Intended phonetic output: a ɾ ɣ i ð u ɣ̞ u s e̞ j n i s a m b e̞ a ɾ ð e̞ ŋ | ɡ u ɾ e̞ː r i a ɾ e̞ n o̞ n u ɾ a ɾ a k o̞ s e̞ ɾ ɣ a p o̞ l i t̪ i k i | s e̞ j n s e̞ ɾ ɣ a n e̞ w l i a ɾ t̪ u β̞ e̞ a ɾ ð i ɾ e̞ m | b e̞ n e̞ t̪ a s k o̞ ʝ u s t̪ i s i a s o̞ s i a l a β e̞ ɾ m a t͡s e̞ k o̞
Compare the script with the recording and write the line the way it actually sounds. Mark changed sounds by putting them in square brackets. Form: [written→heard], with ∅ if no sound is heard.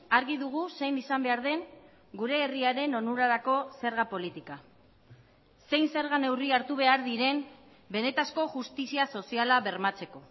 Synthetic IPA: a ɾ ɣ i ð u ɣ̞ u s e̞ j n i s a m b e̞ a ɾ ð e̞ ŋ | ɡ u ɾ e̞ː r i a ɾ e̞ n o̞ n u ɾ a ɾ a k o̞ s e̞ ɾ ɣ a p o̞ l i t̪ i k [i→a] | s e̞ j n s e̞ ɾ ɣ a n e̞ w [l→r] i a ɾ t̪ u β̞ e̞ a ɾ ð i ɾ e̞ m | b e̞ n e̞ t̪ a s k o̞ ʝ u s t̪ i s i a s o̞ s i a l a β e̞ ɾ m a t͡s e̞ k o̞